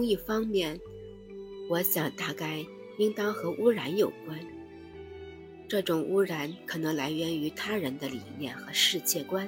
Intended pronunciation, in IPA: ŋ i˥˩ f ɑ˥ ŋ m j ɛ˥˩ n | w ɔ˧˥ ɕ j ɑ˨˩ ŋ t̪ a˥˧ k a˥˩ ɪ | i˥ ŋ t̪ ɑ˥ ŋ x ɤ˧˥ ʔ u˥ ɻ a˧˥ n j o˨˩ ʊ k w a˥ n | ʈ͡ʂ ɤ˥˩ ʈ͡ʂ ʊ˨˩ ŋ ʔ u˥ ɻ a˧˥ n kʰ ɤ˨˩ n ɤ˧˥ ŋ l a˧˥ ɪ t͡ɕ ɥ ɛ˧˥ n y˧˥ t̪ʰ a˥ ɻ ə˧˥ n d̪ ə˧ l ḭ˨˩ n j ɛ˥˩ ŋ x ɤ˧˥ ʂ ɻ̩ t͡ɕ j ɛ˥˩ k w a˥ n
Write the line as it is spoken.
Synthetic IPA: ŋ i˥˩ f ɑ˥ ŋ m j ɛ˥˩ n | w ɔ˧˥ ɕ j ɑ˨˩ ŋ t̪ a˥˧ k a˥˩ ɪ | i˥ ŋ t̪ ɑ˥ ŋ x ɤ˧˥ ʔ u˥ ɻ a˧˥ n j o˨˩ ʊ k w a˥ n | ʈ͡ʂ ɤ˥˩ ʈ͡ʂ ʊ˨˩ ŋ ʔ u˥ ɻ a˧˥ n kʰ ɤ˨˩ n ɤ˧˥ ŋ l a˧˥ ɪ ɥ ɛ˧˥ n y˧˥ t̪ʰ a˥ ɻ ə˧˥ n d̪ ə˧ l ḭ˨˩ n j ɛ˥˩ n x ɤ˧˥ ʂ ɻ̩ t͡ɕ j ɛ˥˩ k w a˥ n